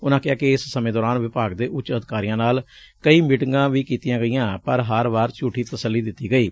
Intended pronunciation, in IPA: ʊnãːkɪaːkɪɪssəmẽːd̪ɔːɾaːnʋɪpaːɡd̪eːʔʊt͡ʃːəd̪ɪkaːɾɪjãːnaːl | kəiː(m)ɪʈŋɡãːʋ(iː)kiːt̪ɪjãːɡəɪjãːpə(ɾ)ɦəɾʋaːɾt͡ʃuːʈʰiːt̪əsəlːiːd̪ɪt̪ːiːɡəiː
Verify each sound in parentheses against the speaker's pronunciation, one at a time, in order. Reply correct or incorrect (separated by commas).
correct, correct, correct